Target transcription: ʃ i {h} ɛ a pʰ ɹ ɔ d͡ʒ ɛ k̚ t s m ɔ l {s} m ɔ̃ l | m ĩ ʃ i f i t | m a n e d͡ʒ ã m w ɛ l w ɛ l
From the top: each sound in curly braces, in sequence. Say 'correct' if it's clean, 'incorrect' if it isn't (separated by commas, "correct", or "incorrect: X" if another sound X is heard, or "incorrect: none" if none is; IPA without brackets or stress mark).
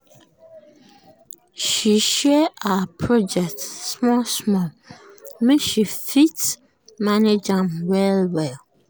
incorrect: ʃ, correct